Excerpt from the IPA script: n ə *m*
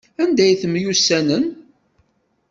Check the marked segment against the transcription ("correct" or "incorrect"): incorrect